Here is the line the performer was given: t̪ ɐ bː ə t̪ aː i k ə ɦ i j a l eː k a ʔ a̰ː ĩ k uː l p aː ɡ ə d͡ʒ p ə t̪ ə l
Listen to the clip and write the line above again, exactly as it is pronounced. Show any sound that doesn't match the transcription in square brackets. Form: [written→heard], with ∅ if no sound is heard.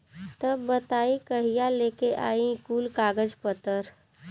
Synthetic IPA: t̪ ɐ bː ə t̪ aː i k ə ɦ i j a l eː k [a→e] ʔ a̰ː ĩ k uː l [p→k] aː ɡ ə d͡ʒ p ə t̪ ə [l→ɾ]